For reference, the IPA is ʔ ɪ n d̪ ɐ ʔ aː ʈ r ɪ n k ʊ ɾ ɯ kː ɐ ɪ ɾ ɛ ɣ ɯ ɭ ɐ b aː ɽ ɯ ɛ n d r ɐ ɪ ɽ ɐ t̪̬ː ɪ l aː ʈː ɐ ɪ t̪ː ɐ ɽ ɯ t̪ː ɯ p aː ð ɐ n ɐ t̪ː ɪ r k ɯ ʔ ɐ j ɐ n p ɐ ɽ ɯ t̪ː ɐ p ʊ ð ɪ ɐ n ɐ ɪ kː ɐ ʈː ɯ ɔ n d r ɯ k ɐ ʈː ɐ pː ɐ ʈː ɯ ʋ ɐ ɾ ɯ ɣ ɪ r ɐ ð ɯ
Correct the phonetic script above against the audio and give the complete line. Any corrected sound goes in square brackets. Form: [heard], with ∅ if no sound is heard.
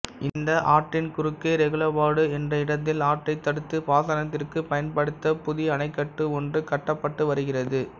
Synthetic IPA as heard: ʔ ɪ n d̪ ɐ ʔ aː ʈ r ɪ n k ʊ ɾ ɯ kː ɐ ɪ ɾ ɛ ɣ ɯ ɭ ɐ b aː ɽ ɯ ɛ n d r ɐ ɪ ɽ ɐ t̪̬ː ɪ l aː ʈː ɐ ɪ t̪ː ɐ ɽ ɯ t̪ː ɯ p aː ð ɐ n ɐ t̪ː ɪ r k ɯ [p] ɐ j ɐ n p ɐ ɽ ɯ t̪ː ɐ p ʊ ð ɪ ɐ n ɐ ɪ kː ɐ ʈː ɯ ɔ n d r ɯ k ɐ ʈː ɐ pː ɐ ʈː ɯ ʋ ɐ ɾ ɯ ɣ ɪ r ɐ ð ɯ